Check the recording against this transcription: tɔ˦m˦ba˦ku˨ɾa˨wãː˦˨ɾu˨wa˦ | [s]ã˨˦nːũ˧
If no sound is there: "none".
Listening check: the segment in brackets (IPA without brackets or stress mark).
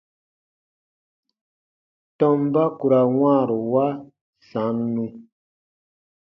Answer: s